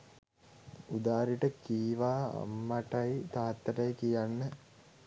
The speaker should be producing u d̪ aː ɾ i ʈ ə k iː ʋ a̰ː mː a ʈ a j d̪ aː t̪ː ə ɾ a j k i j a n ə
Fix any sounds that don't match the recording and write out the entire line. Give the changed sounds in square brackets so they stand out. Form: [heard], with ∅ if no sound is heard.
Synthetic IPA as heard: u d̪ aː ɾ i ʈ ə k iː ʋ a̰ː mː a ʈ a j [t̪] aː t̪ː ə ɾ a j k i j a [nː] ə